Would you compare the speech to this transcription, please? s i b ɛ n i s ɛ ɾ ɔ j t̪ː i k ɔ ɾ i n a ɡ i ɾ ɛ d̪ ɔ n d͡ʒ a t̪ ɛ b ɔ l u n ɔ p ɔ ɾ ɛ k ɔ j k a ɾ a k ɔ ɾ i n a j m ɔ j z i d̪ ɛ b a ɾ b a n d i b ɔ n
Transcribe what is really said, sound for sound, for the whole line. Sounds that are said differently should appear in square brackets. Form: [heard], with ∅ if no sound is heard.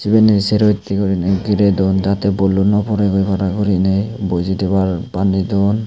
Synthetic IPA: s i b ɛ n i s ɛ ɾ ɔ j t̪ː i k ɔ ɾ i n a ɡ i ɾ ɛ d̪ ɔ n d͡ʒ a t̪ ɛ b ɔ l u n ɔ p ɔ ɾ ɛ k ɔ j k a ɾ a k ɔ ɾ i n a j [b] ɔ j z i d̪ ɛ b a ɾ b a n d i [d] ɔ n